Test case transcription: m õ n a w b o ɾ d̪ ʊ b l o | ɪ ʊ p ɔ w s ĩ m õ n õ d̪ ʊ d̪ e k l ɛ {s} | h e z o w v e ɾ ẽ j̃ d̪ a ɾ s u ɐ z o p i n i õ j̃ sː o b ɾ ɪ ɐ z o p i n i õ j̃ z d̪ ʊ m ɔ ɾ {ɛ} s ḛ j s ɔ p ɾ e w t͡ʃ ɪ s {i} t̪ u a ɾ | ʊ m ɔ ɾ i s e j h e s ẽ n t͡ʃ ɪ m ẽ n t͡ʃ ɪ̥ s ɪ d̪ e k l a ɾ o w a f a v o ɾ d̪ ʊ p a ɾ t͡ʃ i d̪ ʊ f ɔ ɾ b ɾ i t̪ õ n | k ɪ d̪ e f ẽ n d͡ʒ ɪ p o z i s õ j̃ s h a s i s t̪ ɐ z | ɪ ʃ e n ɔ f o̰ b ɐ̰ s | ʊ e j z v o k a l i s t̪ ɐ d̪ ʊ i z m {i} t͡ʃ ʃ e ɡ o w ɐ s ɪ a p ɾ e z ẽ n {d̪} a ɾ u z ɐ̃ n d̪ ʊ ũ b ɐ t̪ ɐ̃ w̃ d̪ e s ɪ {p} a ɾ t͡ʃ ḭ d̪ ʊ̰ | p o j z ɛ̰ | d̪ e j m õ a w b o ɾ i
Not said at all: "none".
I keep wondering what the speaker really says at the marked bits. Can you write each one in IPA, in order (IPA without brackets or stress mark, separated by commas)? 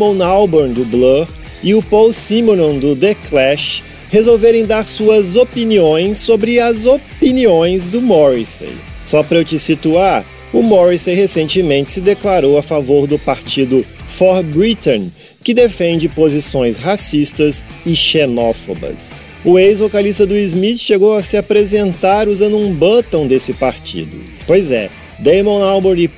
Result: ʃ, i, i, i, t̪, p